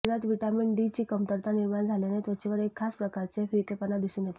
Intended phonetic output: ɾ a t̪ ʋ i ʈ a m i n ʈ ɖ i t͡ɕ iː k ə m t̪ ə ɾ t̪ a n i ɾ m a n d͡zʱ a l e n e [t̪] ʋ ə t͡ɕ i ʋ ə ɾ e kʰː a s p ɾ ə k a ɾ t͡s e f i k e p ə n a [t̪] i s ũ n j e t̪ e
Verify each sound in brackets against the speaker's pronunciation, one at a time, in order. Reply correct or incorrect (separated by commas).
correct, incorrect